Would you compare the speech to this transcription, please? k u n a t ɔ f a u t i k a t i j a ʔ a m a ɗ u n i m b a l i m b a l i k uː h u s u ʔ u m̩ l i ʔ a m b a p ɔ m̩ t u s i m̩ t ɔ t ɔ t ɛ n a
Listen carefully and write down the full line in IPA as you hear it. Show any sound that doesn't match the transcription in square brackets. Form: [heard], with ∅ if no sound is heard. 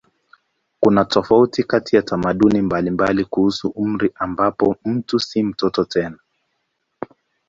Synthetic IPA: k u n a t ɔ f a u t i k a t i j a [t] a m a ɗ u n i m b a l i m b a l i k [u] h u s u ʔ u m̩ [ɾ] i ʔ a m b a p ɔ m̩ t u s i m̩ t ɔ t ɔ t ɛ n a